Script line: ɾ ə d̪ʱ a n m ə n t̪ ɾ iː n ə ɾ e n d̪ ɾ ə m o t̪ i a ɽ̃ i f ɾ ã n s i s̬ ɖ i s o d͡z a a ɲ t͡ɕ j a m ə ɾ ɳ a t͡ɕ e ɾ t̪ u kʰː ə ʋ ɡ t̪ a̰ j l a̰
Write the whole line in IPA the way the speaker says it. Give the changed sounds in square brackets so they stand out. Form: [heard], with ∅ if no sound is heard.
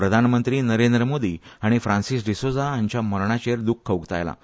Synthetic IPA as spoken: ɾ ə d̪ʱ a n m ə n t̪ ɾ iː n ə ɾ e n d̪ ɾ ə m o [d̪] i a ɽ̃ i f ɾ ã n s i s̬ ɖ i s o d͡z a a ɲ t͡ɕ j a m ə ɾ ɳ a t͡ɕ e ɾ [d̪] u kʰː ə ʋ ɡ t̪ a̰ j l a̰